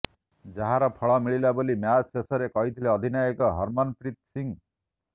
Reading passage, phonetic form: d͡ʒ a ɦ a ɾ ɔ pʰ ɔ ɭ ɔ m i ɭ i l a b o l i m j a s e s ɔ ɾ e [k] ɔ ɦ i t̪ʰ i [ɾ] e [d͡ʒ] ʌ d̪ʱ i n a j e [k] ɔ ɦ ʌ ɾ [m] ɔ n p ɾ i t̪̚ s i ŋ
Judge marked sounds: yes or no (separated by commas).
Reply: yes, no, no, yes, yes